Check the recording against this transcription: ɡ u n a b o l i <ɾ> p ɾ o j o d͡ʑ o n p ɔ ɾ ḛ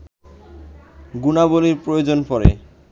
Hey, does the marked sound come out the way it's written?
yes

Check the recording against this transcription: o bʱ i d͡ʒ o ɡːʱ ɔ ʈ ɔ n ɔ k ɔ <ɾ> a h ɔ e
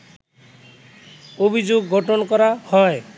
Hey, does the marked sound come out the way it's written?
yes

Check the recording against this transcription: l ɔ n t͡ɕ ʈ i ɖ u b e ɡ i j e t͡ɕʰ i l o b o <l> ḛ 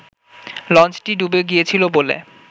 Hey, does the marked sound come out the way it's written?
yes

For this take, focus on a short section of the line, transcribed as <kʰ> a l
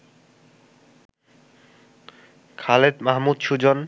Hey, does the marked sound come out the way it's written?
yes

